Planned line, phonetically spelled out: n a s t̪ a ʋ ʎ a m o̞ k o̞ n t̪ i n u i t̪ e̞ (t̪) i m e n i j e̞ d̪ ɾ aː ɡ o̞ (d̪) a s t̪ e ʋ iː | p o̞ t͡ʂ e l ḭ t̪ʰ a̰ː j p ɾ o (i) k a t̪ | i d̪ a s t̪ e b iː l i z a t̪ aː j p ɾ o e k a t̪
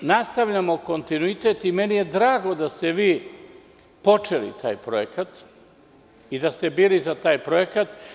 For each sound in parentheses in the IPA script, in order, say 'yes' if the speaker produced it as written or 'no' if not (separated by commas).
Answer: yes, yes, no